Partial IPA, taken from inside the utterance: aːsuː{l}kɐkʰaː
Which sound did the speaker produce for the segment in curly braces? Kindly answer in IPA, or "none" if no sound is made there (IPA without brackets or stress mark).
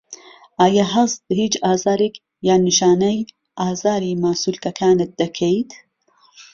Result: l